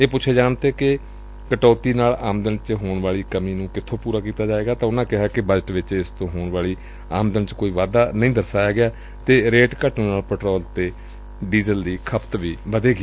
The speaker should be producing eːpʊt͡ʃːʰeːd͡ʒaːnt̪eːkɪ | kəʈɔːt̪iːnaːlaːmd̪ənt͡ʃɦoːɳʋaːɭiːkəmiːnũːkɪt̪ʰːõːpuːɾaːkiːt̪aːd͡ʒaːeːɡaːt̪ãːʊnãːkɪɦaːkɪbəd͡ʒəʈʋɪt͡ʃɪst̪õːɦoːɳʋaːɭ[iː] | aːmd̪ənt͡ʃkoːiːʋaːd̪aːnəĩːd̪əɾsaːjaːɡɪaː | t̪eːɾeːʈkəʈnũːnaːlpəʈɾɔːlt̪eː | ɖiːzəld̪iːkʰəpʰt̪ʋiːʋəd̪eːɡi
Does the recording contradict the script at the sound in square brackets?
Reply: no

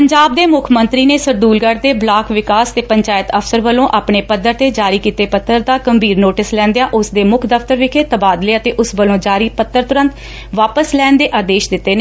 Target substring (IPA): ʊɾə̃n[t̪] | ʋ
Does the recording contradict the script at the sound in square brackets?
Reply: no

